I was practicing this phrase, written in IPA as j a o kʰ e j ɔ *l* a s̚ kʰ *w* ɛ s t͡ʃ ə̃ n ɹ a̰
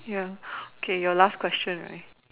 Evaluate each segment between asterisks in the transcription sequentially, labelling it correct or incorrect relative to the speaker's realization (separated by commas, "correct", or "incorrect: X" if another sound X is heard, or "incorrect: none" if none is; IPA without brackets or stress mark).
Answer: correct, correct